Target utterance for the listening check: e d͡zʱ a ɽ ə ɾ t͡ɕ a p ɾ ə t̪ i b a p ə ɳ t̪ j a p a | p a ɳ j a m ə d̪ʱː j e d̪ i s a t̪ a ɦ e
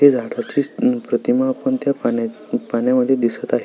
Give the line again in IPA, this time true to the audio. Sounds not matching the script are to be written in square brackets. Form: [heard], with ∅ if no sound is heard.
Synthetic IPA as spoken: e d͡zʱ a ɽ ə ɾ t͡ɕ [i] p ɾ ə t̪ i [m] a p ə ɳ t̪ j a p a | p a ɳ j a m ə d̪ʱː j e d̪ i s [ə] t̪ a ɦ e

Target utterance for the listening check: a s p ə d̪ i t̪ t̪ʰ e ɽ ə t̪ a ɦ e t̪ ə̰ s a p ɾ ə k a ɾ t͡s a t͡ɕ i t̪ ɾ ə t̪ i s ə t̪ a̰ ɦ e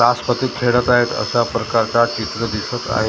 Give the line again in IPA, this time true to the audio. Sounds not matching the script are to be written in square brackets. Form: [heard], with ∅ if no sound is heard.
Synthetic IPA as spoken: a s p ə [t̪] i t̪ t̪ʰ e ɽ ə t̪ a ɦ e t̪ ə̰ s a p ɾ ə k a ɾ t͡s a t͡ɕ i t̪ ɾ ə [d̪] i s ə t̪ a̰ ɦ e

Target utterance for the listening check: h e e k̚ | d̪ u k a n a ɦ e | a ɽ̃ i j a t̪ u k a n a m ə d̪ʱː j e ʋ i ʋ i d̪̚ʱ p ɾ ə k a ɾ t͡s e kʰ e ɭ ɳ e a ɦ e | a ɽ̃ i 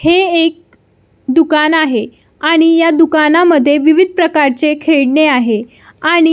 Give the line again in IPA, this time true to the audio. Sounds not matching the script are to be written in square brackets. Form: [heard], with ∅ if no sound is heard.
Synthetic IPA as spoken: h e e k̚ | d̪ u k a n a ɦ e | a ɽ̃ i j a [d̪] u k a n a m ə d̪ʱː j e ʋ i ʋ i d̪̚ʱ p ɾ ə k a ɾ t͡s e kʰ e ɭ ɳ e a ɦ e | a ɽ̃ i

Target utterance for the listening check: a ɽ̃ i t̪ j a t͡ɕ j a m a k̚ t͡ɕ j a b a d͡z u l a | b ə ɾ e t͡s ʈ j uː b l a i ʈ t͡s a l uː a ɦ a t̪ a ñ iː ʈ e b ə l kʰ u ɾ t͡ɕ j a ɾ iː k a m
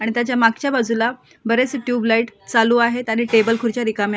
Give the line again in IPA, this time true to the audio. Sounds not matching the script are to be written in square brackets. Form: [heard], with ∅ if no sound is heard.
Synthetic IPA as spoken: a ɽ̃ i t̪ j a t͡ɕ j a m a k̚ t͡ɕ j a b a d͡z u l a | b ə ɾ e t͡s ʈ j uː b l a i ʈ t͡s a l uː a ɦ [e] t̪ a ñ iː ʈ e b ə l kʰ u ɾ t͡ɕ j a ɾ [i] k a m

